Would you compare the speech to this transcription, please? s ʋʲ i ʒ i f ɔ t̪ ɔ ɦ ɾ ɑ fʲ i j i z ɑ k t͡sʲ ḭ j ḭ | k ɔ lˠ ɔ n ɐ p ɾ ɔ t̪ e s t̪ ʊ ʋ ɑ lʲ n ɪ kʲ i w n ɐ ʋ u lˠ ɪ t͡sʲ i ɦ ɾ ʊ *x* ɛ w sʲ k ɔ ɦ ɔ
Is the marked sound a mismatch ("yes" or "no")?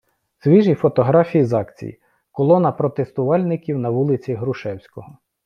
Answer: yes